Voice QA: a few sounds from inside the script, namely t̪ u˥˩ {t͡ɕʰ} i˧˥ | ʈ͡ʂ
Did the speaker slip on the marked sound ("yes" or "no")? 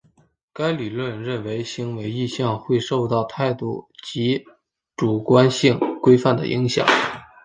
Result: yes